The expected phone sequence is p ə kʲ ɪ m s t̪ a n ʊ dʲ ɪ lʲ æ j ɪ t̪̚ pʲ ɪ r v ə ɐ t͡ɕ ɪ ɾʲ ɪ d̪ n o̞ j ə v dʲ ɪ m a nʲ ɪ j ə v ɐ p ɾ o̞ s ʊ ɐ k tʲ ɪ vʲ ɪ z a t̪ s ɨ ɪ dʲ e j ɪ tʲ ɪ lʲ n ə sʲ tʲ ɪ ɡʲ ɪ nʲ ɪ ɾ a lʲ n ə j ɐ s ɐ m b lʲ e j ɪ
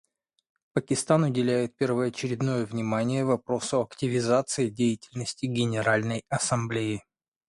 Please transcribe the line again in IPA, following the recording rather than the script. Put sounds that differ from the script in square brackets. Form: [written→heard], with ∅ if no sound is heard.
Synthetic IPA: p ə kʲ ɪ [m→∅] s t̪ a n ʊ dʲ ɪ lʲ æ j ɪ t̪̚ pʲ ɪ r v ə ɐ t͡ɕ ɪ ɾʲ ɪ d̪ n o̞ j ə v [dʲ→nʲ] ɪ m a nʲ ɪ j ə v ɐ p ɾ o̞ s ʊ ɐ k tʲ ɪ vʲ ɪ z a t̪ s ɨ ɪ dʲ e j ɪ tʲ ɪ lʲ n ə sʲ tʲ ɪ ɡʲ ɪ nʲ ɪ ɾ a lʲ n ə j ɐ s ɐ m b lʲ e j ɪ